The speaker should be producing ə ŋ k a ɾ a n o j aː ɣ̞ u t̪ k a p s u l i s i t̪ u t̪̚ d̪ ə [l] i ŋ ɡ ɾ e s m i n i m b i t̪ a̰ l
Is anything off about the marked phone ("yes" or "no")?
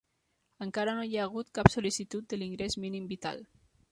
no